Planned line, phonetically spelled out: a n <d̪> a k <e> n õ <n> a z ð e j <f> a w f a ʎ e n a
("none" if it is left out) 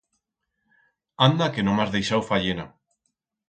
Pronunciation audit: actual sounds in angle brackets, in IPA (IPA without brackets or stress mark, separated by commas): d̪, e, m, ʃ